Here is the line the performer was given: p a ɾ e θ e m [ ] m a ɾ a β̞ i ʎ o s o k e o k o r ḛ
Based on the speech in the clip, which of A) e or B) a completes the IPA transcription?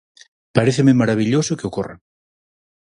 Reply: A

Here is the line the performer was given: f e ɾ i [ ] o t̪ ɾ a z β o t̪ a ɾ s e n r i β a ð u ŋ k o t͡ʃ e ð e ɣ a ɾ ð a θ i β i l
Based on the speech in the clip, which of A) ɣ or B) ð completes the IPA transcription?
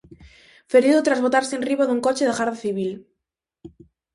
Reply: B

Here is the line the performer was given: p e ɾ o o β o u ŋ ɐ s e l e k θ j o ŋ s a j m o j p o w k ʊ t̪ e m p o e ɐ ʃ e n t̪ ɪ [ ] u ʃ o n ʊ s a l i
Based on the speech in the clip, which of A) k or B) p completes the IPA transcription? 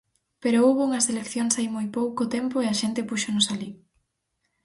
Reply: B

